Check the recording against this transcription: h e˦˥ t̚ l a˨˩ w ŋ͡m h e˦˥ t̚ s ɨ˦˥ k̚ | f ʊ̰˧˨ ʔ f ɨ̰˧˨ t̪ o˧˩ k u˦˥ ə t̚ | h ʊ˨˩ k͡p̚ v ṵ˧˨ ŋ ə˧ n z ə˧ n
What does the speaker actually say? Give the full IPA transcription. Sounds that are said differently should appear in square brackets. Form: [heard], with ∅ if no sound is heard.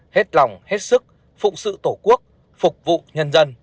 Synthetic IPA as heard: h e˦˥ t̚ l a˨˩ w ŋ͡m h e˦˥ t̚ s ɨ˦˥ k̚ | f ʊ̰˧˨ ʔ [s] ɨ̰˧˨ t̪ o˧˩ k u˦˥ ə [k̚] | [f] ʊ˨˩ k͡p̚ v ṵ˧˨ [ɲ] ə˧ n z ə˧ n